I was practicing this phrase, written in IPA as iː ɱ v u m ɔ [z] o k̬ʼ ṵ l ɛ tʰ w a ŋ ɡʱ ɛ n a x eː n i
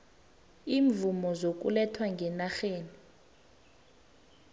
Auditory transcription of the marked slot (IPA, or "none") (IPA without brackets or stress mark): z